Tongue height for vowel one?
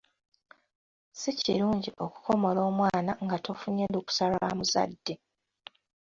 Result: high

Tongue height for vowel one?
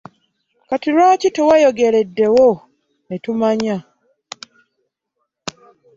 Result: low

